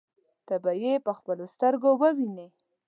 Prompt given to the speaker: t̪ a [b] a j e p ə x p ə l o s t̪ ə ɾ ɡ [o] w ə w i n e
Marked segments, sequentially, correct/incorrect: correct, correct

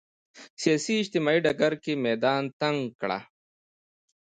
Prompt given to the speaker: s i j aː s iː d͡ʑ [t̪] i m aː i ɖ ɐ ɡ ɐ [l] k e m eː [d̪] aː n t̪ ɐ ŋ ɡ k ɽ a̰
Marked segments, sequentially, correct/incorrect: correct, incorrect: ɾ, correct

